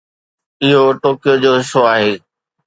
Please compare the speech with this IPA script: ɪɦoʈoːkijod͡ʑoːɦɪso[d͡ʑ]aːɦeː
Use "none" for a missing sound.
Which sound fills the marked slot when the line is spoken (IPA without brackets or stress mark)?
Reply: none